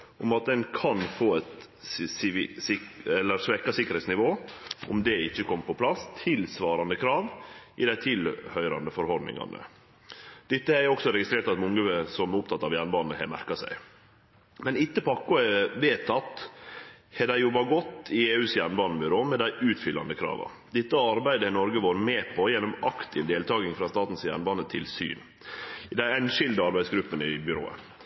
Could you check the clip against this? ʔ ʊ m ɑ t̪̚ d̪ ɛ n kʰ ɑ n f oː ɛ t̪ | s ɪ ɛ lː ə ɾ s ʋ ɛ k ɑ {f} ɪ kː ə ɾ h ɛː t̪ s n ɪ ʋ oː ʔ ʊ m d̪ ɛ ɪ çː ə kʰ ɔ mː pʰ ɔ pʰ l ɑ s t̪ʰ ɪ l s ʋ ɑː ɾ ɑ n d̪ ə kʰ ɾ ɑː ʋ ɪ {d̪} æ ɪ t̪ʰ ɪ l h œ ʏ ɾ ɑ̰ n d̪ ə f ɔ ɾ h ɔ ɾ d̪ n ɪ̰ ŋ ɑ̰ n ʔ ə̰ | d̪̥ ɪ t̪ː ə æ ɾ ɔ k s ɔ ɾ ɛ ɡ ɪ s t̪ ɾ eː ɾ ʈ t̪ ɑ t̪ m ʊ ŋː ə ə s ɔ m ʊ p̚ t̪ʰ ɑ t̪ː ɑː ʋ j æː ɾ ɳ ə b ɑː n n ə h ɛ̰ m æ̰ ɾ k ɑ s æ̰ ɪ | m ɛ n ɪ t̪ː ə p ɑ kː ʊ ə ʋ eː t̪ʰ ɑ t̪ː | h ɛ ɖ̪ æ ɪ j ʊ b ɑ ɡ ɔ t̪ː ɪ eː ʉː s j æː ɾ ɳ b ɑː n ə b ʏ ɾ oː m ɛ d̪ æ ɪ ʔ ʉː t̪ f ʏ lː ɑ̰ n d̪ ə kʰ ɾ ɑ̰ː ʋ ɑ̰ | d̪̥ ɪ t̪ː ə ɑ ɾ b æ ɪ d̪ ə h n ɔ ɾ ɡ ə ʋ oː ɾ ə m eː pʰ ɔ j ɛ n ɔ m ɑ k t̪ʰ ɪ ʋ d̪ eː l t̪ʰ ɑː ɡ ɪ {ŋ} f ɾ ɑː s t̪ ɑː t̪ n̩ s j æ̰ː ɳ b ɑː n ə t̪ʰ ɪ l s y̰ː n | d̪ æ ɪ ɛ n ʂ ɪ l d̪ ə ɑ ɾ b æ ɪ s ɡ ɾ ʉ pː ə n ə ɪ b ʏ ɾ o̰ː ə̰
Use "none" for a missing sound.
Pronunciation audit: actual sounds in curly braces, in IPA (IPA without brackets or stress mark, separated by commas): s, d̪, ŋ